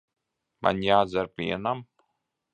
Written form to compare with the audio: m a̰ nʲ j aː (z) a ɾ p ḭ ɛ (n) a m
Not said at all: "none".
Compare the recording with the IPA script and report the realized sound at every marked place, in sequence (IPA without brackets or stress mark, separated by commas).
z, n